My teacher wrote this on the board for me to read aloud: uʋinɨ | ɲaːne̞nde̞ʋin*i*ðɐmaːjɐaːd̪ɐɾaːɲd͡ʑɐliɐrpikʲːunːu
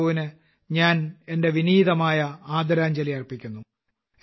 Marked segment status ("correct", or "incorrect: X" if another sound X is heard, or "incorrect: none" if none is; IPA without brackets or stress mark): incorrect: iː